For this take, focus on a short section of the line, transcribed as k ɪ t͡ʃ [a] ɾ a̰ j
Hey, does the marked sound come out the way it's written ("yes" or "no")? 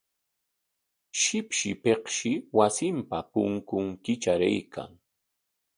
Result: yes